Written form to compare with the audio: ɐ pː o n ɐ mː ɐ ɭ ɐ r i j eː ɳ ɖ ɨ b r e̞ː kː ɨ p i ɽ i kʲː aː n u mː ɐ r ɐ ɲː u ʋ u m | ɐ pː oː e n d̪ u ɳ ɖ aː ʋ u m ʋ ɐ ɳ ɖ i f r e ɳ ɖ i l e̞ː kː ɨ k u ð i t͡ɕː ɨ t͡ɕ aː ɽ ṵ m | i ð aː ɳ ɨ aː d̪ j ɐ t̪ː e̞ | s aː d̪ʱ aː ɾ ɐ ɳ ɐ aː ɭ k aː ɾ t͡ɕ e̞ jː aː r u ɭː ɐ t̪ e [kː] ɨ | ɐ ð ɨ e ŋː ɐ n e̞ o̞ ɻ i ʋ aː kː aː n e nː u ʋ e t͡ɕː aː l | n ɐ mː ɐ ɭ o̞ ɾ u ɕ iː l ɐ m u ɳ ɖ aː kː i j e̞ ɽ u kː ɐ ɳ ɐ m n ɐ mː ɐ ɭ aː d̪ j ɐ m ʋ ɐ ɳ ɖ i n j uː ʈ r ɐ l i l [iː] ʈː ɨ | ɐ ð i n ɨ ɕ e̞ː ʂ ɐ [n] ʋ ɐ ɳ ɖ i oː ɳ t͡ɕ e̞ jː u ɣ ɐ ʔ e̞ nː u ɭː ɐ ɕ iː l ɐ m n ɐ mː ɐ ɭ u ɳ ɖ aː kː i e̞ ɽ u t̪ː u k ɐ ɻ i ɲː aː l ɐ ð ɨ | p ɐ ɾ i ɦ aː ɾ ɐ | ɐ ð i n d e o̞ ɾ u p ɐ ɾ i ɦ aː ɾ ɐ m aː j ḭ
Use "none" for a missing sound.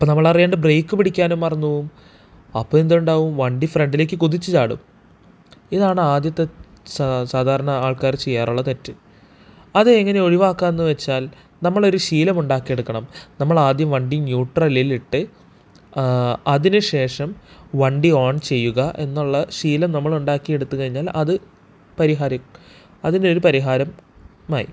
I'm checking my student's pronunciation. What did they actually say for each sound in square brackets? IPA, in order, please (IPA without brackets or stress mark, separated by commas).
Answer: tː, i, m